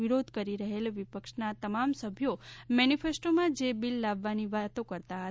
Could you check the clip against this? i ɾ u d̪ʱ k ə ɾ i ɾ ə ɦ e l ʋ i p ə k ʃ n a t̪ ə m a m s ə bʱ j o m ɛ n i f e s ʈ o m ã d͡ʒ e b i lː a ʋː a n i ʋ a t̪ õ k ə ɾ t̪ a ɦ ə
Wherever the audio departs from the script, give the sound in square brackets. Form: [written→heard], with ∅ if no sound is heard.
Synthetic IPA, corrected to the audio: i ɾ [u→o] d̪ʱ k ə ɾ i ɾ ə ɦ e l ʋ i p ə k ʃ n a t̪ ə m a m s ə bʱ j o m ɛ n i f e s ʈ o m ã d͡ʒ e b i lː a ʋː a n i ʋ a t̪ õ k ə ɾ t̪ a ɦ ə